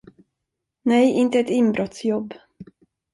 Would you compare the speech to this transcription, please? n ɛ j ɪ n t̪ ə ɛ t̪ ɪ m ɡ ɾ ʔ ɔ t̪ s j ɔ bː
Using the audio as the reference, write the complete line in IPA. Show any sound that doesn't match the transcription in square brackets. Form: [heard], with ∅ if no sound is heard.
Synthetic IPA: n ɛ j ɪ n t̪ ə ɛ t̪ ɪ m [b] ɾ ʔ ɔ t̪ s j ɔ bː